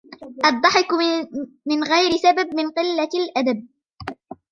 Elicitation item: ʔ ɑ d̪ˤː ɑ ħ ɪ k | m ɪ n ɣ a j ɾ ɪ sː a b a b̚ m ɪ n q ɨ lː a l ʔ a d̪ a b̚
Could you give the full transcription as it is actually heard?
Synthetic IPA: ʔ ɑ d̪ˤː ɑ ħ ɪ k | m ɪ n ɣ a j ɾ ɪ s a b a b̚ m ɪ n q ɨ lː a l ʔ a d̪ a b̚